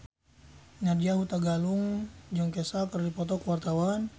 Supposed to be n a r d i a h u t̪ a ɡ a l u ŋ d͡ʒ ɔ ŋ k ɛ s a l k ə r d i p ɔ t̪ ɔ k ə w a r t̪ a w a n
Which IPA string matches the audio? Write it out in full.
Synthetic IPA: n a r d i a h u t̪ a ɡ a l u ŋ d͡ʒ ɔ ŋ k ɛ s a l k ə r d i p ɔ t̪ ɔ k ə w a r t̪ a w a n